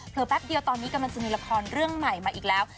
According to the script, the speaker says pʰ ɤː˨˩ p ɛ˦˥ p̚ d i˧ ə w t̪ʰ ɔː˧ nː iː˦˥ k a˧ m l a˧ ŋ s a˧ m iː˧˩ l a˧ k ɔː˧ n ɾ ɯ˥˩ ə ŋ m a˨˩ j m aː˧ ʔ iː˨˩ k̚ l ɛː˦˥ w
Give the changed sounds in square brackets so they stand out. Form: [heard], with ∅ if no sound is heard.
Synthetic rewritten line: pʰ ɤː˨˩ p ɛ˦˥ p̚ d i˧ ə w [t̪] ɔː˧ nː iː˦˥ k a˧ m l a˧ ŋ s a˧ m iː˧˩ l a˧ [kʰ] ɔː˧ n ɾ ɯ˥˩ ə ŋ m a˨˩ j m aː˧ ʔ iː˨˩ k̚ l ɛː˦˥ w